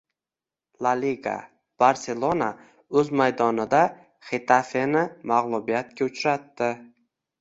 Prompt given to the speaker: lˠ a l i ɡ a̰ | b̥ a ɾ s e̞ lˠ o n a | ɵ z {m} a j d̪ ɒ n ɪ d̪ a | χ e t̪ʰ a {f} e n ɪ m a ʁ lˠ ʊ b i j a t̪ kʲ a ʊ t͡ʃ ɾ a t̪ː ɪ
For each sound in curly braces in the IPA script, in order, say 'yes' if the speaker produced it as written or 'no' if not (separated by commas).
yes, yes